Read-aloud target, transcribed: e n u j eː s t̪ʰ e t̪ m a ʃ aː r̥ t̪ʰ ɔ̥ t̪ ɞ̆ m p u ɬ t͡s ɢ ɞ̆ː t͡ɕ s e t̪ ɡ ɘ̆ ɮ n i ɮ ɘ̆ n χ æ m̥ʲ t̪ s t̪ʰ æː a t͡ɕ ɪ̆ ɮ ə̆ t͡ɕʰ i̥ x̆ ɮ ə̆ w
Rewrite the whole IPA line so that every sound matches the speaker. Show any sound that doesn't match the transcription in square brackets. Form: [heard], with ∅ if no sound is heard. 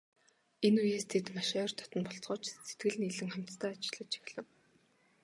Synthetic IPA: e n u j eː s t̪ʰ e t̪ m a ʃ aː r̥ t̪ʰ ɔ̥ t̪ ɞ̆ [n] p [ɔ] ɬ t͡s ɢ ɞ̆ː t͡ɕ s e t̪ ɡ ɘ̆ ɮ n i ɮ ɘ̆ [ŋ] χ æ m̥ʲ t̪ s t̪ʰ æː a t͡ɕ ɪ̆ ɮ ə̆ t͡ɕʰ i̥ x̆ ɮ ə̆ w